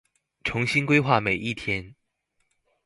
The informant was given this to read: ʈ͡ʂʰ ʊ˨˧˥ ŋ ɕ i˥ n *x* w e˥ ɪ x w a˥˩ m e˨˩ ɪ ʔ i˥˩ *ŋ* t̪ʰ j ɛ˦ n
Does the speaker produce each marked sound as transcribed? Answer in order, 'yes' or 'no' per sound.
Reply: no, no

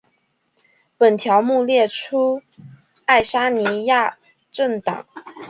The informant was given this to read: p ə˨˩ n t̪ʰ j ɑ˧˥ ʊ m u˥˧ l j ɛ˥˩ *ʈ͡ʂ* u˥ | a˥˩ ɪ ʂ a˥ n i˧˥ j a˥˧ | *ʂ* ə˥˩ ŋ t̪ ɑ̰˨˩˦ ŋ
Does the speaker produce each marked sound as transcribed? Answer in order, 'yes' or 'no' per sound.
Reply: no, no

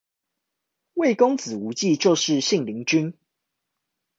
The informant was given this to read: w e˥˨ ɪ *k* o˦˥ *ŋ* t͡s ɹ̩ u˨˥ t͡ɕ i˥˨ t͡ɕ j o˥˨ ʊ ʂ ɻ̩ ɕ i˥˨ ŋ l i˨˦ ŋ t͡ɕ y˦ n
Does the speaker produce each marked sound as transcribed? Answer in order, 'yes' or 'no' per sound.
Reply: yes, yes

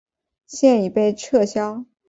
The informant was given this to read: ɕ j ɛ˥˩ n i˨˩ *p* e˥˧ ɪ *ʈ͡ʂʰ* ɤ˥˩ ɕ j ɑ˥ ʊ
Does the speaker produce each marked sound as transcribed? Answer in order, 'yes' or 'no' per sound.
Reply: yes, yes

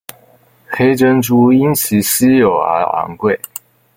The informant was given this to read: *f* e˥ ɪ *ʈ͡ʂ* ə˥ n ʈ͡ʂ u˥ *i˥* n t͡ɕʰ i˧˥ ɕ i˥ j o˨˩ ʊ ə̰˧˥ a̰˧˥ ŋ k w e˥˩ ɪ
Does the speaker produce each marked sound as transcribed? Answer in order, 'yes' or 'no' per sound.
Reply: no, yes, yes

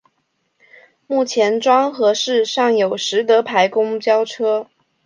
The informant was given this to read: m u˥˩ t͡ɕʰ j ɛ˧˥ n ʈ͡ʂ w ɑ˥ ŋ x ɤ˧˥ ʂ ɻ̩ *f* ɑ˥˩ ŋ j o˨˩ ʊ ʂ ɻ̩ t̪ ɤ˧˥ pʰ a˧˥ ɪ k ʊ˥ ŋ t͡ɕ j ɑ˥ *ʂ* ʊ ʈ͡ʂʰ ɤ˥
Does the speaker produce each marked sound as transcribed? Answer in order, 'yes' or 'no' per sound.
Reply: no, no

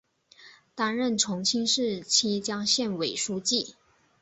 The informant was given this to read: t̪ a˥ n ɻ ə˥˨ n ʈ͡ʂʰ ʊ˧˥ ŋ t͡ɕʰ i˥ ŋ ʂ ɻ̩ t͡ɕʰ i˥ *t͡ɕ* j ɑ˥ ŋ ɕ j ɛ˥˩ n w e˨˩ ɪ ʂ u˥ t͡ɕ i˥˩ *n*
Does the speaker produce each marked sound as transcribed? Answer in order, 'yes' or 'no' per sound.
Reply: yes, no

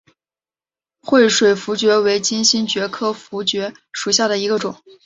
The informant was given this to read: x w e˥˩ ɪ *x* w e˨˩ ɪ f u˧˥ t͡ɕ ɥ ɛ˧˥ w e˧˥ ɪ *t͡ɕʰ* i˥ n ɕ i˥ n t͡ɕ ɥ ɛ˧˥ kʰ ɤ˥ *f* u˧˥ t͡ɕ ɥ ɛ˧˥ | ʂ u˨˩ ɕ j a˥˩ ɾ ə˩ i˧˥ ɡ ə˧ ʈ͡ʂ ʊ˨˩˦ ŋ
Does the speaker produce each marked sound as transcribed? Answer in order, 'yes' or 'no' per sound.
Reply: no, no, yes

